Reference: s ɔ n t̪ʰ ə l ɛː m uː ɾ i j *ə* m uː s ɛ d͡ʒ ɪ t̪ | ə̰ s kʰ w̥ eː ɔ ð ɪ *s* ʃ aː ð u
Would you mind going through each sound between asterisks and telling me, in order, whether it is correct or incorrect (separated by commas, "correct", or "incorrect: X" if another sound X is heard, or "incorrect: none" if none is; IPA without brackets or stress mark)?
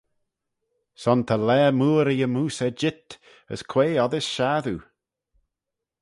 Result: correct, correct